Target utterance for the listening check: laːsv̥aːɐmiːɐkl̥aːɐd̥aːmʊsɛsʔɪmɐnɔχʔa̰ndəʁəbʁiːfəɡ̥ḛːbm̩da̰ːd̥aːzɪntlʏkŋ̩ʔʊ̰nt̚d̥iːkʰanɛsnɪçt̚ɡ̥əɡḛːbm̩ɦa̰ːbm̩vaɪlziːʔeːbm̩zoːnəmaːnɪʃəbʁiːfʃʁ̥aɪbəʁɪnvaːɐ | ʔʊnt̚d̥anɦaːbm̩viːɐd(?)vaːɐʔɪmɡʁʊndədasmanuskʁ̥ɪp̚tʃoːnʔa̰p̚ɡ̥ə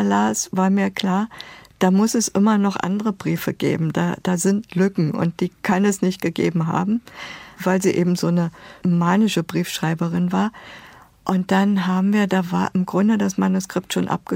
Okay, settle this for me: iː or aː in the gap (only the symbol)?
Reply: aː